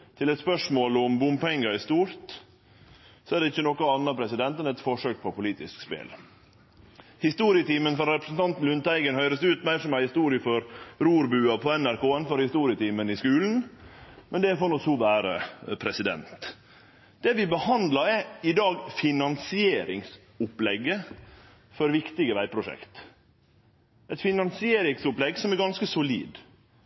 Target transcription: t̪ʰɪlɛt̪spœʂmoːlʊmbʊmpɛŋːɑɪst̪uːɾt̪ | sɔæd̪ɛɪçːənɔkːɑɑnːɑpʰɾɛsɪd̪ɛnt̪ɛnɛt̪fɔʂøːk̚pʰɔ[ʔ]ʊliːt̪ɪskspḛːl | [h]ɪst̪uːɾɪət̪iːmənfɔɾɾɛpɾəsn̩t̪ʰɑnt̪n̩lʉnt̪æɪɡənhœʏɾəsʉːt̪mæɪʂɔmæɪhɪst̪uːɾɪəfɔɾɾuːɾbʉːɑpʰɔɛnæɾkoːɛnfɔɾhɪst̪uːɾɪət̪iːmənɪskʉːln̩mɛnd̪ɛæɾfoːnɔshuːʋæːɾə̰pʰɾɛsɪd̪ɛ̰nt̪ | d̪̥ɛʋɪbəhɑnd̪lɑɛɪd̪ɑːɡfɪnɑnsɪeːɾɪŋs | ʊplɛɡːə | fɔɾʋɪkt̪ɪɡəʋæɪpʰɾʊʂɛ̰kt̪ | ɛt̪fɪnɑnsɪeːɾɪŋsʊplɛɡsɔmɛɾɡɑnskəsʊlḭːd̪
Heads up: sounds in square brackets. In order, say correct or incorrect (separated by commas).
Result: incorrect, correct